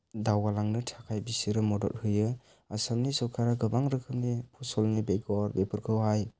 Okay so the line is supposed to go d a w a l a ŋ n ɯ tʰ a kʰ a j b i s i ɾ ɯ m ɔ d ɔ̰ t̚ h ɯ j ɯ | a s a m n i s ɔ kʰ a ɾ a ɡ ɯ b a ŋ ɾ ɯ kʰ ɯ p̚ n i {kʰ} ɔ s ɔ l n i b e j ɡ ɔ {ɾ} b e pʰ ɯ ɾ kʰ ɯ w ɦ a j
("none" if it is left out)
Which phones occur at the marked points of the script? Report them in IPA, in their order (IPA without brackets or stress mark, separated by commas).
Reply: pʰ, ɾ